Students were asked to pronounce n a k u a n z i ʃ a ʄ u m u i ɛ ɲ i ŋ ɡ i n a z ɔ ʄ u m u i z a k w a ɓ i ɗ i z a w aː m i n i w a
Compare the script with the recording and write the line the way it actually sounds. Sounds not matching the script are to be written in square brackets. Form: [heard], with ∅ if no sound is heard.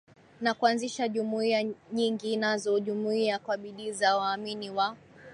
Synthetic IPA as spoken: n a k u a n z i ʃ a ʄ u m u i [a] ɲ i ŋ ɡ i n a z ɔ ʄ u m u i [∅] a k w a ɓ i ɗ i z a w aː m i n i w a